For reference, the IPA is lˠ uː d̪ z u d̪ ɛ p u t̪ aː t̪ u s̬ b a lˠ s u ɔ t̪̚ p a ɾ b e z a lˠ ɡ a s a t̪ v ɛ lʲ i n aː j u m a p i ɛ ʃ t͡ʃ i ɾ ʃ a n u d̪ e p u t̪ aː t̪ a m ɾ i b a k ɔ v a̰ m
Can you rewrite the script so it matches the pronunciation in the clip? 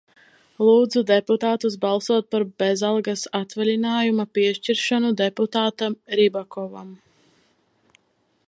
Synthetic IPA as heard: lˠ uː d̪ z u d̪ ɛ p u t̪ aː t̪ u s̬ b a lˠ s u ɔ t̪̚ p a ɾ b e z a lˠ ɡ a s a t̪ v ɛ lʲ i n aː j u m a p i ɛ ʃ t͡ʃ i ɾ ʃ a n u d̪ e p u t̪ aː t̪ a m ɾ i b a k ɔ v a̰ m